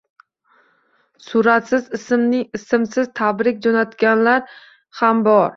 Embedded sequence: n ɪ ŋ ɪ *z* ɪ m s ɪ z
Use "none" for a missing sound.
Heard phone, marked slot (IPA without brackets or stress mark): s